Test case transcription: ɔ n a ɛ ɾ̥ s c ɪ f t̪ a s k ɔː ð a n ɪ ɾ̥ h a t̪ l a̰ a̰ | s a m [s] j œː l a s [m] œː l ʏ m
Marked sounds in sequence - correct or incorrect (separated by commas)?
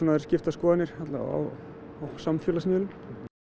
incorrect, correct